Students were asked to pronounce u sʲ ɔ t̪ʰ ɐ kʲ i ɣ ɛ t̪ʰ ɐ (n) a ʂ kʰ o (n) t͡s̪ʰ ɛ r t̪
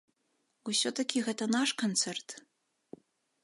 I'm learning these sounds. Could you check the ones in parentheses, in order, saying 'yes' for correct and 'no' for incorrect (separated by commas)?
yes, yes